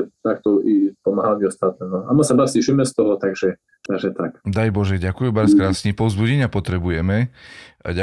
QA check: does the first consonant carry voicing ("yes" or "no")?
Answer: no